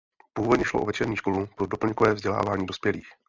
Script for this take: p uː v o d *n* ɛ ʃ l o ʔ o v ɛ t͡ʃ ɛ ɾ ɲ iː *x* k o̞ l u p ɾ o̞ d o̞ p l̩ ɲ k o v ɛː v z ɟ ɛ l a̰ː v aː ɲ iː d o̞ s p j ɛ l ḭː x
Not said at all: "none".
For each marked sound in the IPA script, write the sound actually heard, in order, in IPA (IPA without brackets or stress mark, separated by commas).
ɲ, ʃ